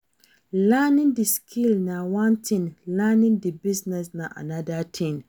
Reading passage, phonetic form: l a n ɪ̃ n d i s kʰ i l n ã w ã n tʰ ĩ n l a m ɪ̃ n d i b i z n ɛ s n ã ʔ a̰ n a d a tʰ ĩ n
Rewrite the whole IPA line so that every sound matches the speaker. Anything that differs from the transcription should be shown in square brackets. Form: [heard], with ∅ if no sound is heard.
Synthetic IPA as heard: l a n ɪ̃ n d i s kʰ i l n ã w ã n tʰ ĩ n l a [n] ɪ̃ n d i b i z n ɛ s n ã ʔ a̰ n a d a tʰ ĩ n